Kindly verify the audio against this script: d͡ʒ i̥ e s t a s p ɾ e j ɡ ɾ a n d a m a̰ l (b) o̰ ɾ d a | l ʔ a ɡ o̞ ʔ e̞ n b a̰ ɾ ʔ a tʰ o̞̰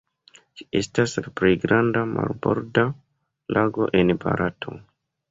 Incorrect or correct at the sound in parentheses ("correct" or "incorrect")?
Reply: correct